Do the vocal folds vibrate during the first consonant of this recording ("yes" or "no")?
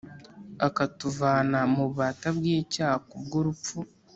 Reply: no